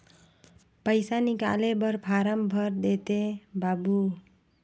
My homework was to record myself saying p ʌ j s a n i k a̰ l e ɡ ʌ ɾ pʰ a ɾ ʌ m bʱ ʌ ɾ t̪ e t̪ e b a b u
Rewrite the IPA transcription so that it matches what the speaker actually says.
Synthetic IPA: p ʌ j s a n i k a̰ l e b ʌ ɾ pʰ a ɾ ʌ m bʱ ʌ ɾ d̪ e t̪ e b a b u